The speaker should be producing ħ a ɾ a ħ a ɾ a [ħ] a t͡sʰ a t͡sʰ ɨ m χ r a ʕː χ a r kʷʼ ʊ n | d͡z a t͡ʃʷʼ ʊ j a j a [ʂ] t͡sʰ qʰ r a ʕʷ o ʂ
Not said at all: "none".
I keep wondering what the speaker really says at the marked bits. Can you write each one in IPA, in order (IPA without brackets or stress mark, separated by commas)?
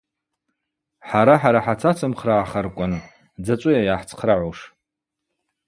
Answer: ħ, ħ